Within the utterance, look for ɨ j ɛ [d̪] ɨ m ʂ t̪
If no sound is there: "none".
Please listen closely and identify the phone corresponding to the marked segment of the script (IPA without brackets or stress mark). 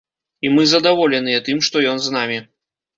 t̪